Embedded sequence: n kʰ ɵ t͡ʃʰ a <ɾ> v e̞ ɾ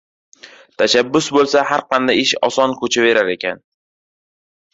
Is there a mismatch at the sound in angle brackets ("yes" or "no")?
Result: yes